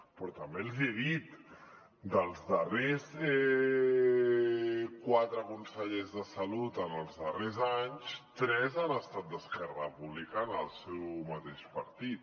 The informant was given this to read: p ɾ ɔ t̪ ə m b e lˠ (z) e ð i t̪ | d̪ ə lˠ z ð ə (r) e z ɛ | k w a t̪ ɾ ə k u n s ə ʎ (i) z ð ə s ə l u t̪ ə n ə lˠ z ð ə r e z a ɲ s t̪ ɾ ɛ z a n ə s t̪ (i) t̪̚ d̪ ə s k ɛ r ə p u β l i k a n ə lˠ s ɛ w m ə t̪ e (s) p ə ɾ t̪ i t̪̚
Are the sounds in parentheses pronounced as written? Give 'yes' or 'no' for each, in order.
yes, yes, no, no, no

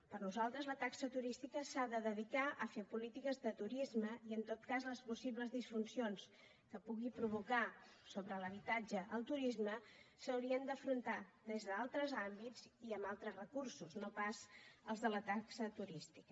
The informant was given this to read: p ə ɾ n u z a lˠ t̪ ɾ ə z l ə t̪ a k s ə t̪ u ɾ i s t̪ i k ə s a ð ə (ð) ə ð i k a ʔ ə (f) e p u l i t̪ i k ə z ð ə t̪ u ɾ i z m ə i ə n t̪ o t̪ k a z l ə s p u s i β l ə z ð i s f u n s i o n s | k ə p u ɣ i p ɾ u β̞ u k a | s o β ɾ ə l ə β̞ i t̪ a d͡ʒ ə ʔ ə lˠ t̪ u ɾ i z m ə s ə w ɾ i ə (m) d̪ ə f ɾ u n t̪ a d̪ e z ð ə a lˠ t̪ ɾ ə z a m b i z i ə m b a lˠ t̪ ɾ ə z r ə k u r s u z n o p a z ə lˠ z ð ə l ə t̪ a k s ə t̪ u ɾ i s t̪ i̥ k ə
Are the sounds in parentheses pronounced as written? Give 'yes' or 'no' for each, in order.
yes, yes, no

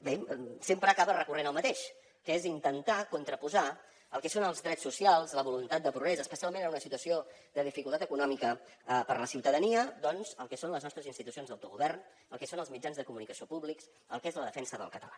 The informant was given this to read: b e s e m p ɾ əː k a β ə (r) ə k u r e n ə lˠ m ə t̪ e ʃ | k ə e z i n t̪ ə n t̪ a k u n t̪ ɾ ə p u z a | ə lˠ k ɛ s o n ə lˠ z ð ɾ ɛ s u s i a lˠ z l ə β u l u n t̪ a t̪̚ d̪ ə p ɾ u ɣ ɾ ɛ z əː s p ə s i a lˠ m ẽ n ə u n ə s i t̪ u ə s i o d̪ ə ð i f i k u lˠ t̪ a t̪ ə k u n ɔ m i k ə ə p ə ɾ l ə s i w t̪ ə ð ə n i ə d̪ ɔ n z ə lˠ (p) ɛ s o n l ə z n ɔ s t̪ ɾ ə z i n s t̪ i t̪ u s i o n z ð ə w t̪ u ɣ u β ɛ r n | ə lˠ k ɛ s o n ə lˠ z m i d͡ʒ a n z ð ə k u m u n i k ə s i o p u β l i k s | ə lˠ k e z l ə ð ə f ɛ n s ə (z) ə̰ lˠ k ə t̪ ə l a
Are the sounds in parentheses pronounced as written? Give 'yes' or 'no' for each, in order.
yes, no, no

